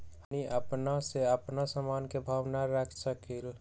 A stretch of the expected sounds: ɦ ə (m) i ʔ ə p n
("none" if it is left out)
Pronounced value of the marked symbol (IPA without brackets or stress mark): n